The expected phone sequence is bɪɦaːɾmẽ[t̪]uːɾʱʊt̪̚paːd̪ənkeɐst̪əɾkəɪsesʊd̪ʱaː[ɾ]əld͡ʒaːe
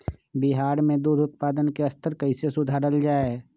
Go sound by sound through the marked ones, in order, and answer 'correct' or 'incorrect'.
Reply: incorrect: d̪, correct

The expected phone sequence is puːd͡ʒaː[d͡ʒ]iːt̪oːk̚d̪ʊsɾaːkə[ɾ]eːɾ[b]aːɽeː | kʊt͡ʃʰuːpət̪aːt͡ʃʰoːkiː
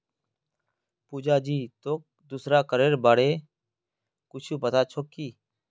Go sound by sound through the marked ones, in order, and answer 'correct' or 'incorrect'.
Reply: correct, correct, correct

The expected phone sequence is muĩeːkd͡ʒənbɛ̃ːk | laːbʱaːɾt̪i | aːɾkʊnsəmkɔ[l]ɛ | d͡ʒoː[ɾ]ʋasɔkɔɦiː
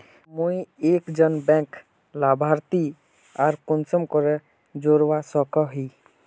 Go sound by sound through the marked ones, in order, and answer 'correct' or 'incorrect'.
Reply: incorrect: ɾ, correct

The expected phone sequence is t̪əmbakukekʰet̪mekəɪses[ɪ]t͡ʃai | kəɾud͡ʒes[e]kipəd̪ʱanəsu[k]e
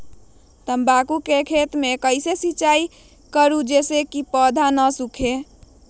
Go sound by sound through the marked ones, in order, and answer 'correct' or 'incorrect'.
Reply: incorrect: i, correct, incorrect: kʰ

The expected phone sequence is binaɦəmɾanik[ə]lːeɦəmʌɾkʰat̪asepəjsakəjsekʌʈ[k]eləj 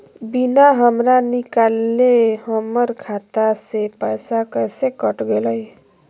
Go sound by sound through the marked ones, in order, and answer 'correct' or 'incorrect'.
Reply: incorrect: a, incorrect: ɡ

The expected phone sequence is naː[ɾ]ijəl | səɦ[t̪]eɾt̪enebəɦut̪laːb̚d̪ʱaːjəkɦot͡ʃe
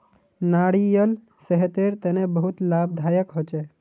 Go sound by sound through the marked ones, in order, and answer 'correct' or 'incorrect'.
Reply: incorrect: ɽ, correct

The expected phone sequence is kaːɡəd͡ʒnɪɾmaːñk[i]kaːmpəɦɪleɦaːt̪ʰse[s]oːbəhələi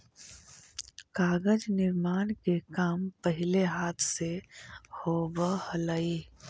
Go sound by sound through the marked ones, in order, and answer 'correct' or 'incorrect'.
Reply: incorrect: e, incorrect: h

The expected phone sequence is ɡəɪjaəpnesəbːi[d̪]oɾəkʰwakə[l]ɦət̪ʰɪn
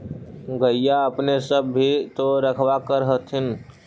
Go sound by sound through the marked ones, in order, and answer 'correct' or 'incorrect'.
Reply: incorrect: t̪, incorrect: ɾ

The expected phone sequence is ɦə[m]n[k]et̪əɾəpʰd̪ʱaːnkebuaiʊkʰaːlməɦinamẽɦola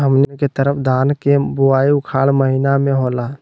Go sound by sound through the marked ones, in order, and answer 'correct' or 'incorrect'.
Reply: correct, correct

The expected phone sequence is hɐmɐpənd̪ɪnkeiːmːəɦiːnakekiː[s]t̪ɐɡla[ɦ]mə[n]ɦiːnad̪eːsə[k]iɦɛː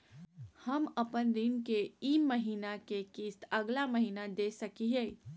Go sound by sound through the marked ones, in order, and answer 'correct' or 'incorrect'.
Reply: correct, incorrect: none, incorrect: none, correct

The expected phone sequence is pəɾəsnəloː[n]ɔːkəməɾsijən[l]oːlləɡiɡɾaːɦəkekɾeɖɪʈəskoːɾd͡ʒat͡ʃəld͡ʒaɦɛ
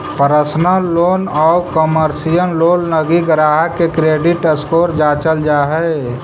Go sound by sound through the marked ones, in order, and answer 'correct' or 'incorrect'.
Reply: correct, correct

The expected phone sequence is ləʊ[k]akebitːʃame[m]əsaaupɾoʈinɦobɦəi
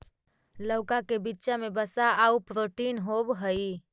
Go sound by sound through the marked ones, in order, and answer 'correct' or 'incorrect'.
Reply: correct, incorrect: b

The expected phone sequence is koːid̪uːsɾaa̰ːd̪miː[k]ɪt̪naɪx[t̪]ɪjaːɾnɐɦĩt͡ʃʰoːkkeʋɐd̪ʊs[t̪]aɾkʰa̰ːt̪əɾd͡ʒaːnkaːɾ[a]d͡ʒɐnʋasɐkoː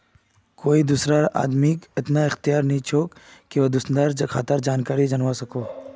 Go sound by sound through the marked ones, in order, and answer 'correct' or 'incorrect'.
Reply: correct, correct, incorrect: d̪, incorrect: i

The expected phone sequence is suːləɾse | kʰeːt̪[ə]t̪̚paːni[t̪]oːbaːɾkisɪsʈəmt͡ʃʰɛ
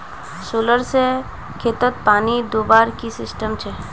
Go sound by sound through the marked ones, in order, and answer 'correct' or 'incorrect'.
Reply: correct, incorrect: d̪

